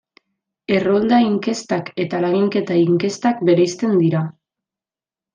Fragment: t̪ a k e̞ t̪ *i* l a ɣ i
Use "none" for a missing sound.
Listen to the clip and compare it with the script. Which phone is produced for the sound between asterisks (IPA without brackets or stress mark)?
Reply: a